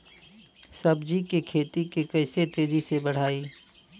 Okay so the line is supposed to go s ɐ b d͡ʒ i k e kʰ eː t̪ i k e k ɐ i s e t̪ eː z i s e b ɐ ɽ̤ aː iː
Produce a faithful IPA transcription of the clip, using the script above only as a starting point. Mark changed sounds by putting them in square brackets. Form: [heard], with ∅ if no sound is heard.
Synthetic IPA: s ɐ b d͡ʒ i k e kʰ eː t̪ i k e k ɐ [ɪ] s e t̪ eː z i s e b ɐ ɽ̤ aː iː

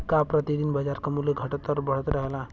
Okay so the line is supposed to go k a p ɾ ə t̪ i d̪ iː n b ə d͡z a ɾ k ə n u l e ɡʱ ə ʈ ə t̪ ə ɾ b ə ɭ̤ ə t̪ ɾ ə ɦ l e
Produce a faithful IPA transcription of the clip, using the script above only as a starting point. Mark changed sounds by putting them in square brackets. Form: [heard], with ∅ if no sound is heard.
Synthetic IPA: k a p ɾ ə t̪ i d̪ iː n b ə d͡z a ɾ k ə [m] u l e ɡʱ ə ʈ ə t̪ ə ɾ b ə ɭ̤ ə t̪ ɾ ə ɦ l [a]

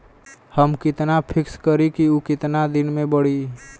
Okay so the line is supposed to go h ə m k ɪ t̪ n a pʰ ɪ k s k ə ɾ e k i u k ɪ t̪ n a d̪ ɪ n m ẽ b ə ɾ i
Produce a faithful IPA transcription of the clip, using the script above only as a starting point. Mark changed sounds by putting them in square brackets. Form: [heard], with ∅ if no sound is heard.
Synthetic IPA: h ə m k ɪ t̪ n a pʰ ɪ k s k ə ɾ [i] k i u k ɪ t̪ n a d̪ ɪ n m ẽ b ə [ɽ] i

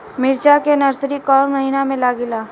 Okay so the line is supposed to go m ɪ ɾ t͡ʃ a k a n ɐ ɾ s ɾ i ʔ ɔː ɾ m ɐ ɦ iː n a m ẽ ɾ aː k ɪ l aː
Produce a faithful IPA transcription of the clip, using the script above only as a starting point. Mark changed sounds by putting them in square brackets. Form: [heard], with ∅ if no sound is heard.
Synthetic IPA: m ɪ ɾ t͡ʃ a k [e] n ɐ ɾ s ɾ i [k] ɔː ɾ m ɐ ɦ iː n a m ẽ [l] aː [ɡ] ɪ l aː

